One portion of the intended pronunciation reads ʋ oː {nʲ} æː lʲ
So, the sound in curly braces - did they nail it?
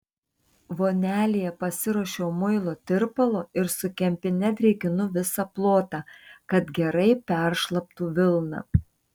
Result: yes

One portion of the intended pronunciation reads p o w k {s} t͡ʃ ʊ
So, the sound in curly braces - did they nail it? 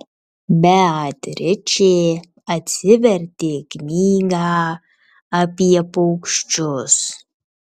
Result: no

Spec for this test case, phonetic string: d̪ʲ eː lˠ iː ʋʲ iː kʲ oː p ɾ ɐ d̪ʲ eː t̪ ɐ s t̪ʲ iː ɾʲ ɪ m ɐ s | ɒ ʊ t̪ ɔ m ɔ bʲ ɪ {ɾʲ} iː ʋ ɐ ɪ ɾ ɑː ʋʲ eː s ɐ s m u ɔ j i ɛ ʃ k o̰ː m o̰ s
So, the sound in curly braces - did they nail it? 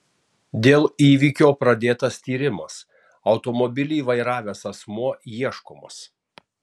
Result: no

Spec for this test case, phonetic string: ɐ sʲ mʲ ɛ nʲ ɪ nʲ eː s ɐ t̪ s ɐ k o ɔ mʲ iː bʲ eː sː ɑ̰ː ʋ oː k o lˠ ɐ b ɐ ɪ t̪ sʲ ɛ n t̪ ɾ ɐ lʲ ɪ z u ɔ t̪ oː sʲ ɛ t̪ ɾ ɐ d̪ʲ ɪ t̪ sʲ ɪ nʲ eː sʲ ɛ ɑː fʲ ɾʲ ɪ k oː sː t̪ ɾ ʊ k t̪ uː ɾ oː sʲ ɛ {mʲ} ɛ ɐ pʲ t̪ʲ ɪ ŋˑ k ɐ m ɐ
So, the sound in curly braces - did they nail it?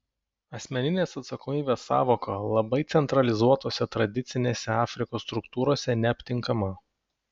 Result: no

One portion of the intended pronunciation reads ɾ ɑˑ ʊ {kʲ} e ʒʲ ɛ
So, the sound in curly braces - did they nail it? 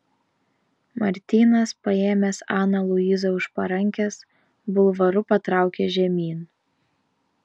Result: yes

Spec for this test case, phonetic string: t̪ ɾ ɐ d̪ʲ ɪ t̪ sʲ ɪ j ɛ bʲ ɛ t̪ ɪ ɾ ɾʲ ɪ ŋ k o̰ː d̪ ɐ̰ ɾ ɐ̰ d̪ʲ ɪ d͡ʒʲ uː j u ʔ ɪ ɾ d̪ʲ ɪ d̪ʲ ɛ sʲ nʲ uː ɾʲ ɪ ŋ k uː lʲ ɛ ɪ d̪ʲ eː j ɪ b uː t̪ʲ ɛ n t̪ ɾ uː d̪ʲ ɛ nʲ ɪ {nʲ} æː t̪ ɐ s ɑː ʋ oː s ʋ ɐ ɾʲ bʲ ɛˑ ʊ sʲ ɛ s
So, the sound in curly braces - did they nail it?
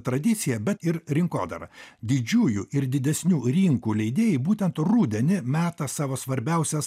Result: no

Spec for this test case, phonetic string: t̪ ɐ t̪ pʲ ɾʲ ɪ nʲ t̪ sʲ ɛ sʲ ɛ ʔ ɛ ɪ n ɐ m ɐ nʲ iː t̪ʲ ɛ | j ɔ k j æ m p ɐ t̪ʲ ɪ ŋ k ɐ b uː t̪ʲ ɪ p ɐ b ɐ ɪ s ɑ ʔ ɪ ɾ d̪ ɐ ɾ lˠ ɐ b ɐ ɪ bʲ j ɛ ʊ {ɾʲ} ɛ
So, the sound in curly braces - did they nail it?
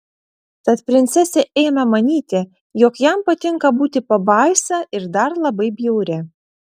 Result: yes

